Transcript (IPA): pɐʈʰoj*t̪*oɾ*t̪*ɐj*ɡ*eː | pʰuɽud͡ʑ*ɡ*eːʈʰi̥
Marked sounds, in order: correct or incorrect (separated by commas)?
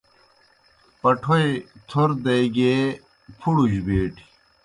incorrect, incorrect, correct, incorrect